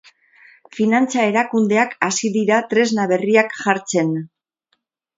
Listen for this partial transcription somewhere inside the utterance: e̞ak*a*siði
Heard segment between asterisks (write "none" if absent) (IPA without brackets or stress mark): a